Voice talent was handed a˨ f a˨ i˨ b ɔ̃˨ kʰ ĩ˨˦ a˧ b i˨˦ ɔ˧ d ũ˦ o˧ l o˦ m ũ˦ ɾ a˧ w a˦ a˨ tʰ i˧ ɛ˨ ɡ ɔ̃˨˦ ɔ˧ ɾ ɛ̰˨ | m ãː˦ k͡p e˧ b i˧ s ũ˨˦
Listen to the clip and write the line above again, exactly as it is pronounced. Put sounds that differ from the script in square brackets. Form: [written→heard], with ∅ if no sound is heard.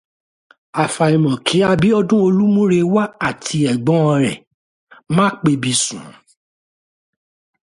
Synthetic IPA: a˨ f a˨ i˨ [b→m] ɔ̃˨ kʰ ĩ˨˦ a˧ b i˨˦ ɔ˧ d ũ˦ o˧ l [o˦→u˦] m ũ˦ ɾ [a˧→e˧] w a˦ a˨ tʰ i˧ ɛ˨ [ɡ→ɡ͡b] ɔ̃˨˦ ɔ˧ ɾ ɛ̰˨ | m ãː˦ k͡p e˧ b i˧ s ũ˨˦